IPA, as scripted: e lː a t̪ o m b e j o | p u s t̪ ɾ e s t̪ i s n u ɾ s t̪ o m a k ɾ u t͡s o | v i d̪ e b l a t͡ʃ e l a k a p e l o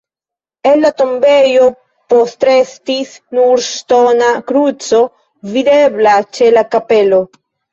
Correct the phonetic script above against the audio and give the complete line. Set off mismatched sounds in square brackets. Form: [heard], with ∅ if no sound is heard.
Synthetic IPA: e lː a t̪ o m b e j o | p [o] s t̪ ɾ e s t̪ i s n u ɾ s t̪ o [n] a k ɾ u t͡s o | v i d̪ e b l a t͡ʃ e l a k a p e l o